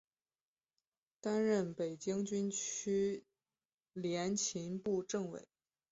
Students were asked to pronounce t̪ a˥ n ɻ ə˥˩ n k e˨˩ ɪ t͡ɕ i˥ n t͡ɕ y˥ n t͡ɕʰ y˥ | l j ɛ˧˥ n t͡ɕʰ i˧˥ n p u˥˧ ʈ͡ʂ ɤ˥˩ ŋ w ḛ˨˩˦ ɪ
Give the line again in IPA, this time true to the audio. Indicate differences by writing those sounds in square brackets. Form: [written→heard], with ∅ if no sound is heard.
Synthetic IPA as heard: t̪ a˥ n ɻ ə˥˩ n [k→p] e˨˩ ɪ t͡ɕ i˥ [n→ŋ] t͡ɕ y˥ n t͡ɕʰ y˥ | l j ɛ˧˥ n t͡ɕʰ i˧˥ n p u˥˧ ʈ͡ʂ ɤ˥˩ ŋ w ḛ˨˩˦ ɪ